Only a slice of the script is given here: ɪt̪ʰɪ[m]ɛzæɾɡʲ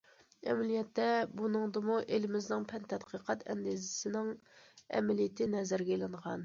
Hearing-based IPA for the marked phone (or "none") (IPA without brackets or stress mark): n